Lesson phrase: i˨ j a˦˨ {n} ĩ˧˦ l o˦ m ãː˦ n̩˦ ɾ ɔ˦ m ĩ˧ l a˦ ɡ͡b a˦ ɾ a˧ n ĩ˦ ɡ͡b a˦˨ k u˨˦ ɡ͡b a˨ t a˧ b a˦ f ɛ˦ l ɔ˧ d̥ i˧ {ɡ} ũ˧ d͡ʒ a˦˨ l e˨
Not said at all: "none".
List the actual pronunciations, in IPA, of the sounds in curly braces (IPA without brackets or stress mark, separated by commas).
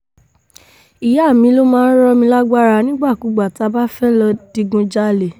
m, ɡ